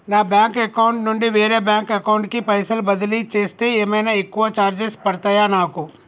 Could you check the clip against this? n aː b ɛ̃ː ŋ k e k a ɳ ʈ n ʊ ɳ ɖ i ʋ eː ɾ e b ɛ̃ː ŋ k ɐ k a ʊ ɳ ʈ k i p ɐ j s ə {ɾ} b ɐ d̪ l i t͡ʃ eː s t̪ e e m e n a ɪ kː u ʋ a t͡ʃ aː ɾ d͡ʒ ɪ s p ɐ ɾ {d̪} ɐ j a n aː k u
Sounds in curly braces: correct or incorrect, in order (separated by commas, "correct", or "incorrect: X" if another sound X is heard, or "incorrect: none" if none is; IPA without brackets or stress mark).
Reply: incorrect: l, incorrect: t̪